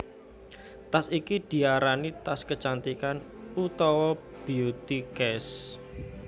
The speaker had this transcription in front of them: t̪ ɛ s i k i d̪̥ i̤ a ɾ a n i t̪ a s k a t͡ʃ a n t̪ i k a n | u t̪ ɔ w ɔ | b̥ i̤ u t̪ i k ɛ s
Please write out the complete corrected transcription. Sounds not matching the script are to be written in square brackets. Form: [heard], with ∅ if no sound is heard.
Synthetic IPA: t̪ [a] s i k i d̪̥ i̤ a ɾ a n i t̪ a s k [ə] t͡ʃ a n t̪ i k a n | u t̪ ɔ w ɔ | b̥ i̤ u t̪ i k ɛ s

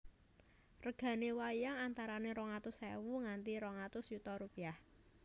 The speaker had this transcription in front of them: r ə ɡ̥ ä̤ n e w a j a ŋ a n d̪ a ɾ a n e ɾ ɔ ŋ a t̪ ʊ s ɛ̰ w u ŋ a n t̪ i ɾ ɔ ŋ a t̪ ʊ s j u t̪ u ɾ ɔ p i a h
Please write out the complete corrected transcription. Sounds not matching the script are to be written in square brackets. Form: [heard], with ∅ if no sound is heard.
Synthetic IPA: r ə ɡ̥ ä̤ n e w a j a ŋ a n [t̪] a ɾ a n e ɾ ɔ ŋ a t̪ ʊ s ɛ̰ w u ŋ a n t̪ i ɾ ɔ ŋ a t̪ ʊ s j u t̪ [ɔ] ɾ [u] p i a h

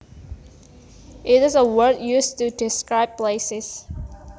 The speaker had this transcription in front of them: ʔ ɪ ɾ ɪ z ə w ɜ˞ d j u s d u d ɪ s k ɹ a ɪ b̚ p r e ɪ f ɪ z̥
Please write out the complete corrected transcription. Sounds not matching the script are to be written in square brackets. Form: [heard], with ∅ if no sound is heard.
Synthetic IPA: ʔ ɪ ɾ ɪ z ə w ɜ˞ d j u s [t] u d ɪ s k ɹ a ɪ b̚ p [l] e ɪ [s] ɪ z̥

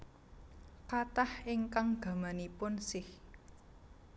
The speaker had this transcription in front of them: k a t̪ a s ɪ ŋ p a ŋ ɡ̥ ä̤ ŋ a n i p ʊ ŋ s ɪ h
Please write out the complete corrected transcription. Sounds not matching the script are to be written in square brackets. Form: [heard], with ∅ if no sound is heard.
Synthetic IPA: k a t̪ a [h] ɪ ŋ [k] a ŋ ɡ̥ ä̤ [m] a n i p ʊ [n] s ɪ h

